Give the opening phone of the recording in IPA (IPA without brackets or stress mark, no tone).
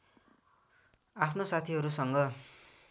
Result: a